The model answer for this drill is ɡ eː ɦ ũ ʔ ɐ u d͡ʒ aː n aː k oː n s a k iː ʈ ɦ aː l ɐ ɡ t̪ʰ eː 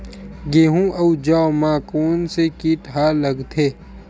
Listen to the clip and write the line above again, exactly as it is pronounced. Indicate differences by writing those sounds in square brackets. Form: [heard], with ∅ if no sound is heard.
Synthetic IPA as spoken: ɡ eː ɦ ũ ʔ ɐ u d͡ʒ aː [m] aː k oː n s [e] k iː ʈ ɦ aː l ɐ ɡ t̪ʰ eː